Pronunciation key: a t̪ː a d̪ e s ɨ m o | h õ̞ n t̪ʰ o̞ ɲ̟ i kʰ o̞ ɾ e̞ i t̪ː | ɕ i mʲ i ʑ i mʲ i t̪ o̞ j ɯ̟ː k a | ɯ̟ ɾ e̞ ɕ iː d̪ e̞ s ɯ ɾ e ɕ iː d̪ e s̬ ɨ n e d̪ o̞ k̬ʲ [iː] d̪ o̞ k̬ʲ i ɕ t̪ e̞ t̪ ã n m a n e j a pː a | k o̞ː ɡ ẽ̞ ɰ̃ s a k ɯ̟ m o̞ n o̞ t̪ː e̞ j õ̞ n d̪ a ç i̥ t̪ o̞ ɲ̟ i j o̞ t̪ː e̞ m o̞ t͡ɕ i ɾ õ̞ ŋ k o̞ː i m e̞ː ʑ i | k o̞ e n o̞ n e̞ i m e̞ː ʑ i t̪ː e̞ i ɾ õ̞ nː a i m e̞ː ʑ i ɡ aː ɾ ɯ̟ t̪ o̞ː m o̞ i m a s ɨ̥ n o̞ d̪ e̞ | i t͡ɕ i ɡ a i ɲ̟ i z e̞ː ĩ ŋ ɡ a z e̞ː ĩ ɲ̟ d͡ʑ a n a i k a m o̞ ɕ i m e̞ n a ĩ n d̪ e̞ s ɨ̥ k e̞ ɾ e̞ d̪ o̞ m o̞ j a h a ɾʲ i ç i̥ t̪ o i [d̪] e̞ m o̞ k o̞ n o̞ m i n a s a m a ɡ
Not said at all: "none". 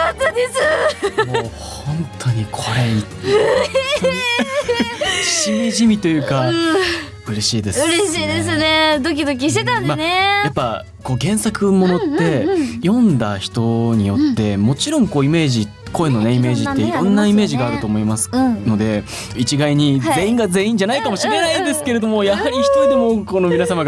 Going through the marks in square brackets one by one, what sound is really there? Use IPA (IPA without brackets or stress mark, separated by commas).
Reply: i, d̪